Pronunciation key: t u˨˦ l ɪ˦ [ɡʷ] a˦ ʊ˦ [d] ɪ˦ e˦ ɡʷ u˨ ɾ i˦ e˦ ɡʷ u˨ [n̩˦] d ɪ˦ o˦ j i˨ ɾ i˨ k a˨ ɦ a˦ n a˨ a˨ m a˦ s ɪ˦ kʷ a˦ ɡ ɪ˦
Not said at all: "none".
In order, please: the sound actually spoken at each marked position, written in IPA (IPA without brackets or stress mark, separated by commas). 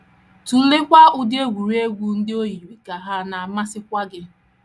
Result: kʷ, d, n̩˦